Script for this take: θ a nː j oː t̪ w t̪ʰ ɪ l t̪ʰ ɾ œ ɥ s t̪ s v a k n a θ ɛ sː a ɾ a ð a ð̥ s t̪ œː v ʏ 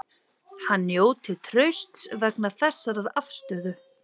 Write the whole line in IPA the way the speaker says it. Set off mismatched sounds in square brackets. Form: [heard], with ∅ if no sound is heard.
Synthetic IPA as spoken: [h] a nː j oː [∅] w t̪ʰ ɪ l t̪ʰ ɾ œ ɥ s t̪ s v [ɛ] k n a θ ɛ sː a ɾ a ð a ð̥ s t̪ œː [ð] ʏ